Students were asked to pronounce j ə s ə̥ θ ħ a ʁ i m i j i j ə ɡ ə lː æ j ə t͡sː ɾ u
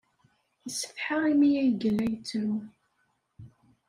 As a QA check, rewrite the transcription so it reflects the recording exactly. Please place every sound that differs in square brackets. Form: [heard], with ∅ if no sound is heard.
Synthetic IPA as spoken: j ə s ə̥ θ ħ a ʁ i m i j [æ] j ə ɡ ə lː æ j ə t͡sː ɾ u